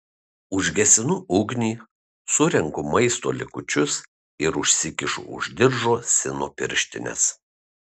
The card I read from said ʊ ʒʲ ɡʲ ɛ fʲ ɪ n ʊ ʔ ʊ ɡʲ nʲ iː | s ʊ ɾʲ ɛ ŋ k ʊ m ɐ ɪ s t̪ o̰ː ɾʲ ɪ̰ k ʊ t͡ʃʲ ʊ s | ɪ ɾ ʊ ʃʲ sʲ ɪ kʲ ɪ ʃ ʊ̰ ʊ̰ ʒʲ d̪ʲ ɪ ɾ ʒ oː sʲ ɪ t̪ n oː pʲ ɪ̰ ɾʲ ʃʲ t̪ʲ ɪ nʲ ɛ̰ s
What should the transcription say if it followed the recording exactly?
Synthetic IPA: ʊ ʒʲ ɡʲ ɛ sʲ ɪ n ʊ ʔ ʊ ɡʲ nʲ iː | s ʊ ɾʲ ɛ ŋ k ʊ m ɐ ɪ s t̪ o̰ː lʲ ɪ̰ k ʊ t͡ʃʲ ʊ s | ɪ ɾ ʊ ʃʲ sʲ ɪ kʲ ɪ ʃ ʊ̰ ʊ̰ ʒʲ d̪ʲ ɪ ɾ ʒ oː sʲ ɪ n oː pʲ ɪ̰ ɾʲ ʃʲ t̪ʲ ɪ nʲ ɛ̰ s